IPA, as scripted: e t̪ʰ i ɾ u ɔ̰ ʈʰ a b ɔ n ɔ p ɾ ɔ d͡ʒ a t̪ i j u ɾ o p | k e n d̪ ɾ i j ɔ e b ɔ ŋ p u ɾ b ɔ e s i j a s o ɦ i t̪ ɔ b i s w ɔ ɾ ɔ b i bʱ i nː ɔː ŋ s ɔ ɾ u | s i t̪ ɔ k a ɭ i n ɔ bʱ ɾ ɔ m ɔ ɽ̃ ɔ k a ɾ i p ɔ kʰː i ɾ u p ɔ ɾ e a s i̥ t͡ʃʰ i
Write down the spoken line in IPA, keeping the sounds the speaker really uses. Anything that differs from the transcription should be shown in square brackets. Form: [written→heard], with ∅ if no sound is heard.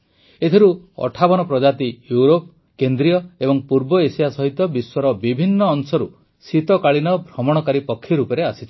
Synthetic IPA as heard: e t̪ʰ i ɾ u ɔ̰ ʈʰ a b ɔ n ɔ p ɾ ɔ d͡ʒ a t̪ i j u ɾ o p | k e n d̪ ɾ i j ɔ e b ɔ ŋ p u ɾ b ɔ e s i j a s [o→ɔ] ɦ i t̪ ɔ b i s w ɔ ɾ ɔ b i bʱ i nː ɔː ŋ s ɔ ɾ u | s i t̪ ɔ k a ɭ i n ɔ bʱ ɾ ɔ m ɔ ɽ̃ ɔ k a ɾ i p ɔ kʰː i ɾ u p ɔ ɾ e a s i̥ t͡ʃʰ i